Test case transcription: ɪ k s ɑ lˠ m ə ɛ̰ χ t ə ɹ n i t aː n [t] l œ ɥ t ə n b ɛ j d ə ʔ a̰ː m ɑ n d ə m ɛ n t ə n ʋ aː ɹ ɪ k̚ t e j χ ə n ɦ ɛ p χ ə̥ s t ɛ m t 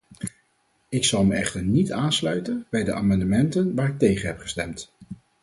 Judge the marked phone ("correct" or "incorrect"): incorrect